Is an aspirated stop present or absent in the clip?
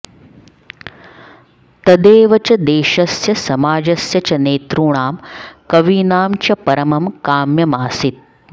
absent